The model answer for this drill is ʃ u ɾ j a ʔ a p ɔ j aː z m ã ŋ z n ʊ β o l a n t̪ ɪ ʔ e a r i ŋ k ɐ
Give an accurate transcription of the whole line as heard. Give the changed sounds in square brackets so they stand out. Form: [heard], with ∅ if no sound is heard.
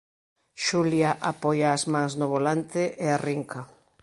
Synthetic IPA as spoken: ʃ u [l] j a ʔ a p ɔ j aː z m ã ŋ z n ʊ β o l a n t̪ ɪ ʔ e a r i ŋ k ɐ